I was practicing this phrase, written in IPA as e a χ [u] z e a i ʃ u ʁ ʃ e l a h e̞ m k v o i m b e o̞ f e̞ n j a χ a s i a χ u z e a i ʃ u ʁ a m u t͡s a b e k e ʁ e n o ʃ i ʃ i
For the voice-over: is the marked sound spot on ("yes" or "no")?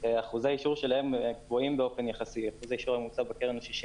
yes